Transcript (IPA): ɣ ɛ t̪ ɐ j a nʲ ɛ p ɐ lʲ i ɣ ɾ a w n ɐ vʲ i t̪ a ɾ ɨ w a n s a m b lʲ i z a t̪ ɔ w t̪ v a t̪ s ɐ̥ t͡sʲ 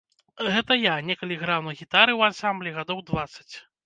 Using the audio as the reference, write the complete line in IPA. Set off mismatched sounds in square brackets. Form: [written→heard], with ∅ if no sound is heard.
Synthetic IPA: ɣ ɛ t̪ ɐ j a nʲ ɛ [p→k] ɐ lʲ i ɣ ɾ a w n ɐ [vʲ→ɣʲ] i t̪ a ɾ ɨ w a n s a m b lʲ i [z→ɣ] a [t̪→d̪] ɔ w [t̪→d̪] v a t̪ s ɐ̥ t͡sʲ